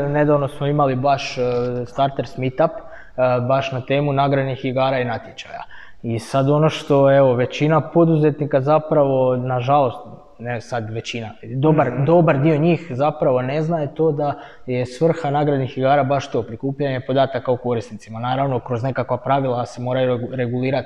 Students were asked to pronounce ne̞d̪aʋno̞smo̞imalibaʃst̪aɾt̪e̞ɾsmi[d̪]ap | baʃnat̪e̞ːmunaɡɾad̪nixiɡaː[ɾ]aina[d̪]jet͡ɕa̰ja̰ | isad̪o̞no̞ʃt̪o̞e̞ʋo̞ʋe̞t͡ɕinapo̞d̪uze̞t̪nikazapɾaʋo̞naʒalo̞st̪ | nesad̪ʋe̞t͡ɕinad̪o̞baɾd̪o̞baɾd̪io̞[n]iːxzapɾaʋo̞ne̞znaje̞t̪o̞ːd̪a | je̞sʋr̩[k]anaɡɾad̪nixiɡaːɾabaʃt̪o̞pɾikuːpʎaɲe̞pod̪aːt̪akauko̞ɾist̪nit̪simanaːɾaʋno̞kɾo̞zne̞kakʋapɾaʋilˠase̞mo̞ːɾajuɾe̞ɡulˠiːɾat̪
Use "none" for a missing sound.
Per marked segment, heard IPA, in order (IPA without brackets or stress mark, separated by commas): t̪, ɾ, t̪, ɲ, x